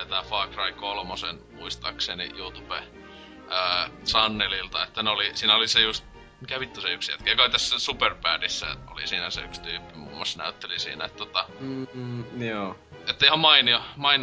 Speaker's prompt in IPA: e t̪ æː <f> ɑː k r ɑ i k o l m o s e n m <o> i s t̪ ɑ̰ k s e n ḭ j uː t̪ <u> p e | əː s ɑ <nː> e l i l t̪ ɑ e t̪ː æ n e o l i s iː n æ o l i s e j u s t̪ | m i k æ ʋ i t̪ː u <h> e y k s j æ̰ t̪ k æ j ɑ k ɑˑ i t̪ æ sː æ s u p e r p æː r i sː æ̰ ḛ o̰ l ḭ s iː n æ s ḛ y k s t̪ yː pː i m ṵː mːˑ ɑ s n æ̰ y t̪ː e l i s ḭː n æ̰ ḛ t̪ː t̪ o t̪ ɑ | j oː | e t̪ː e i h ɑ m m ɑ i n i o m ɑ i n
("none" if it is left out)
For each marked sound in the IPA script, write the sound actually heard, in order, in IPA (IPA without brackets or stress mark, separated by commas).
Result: f, u, u, nː, s